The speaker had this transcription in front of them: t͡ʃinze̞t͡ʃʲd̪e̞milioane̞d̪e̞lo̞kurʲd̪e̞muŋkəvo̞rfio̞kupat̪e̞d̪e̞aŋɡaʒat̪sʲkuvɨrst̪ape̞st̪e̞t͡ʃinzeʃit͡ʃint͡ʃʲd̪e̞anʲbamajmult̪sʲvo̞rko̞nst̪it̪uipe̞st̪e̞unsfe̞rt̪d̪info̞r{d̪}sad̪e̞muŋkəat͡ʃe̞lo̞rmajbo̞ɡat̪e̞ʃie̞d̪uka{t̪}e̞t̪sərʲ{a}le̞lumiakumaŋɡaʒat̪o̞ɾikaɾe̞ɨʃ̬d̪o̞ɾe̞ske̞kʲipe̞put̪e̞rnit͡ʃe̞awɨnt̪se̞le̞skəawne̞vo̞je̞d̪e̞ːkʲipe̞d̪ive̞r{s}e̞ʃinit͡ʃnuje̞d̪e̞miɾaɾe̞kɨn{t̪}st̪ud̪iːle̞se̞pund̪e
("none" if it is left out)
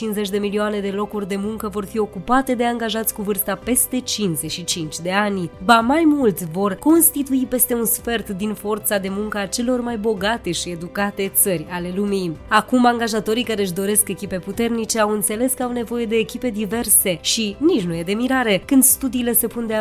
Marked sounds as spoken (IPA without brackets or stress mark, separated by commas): t̪, t̪, a, s, d̪